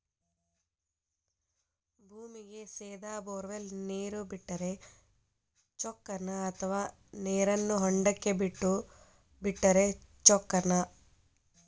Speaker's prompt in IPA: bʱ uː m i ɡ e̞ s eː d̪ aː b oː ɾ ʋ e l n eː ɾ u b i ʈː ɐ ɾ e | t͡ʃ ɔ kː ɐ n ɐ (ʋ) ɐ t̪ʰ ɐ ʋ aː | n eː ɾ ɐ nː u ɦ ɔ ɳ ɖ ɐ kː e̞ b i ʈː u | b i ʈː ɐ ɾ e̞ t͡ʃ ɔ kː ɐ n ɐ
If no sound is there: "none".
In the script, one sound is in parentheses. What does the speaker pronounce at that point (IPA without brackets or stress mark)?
none